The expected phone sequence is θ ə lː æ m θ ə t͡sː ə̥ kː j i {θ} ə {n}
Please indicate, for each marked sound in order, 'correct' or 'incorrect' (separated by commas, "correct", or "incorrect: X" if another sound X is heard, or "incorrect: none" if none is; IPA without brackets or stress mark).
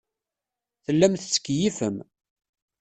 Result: incorrect: f, incorrect: m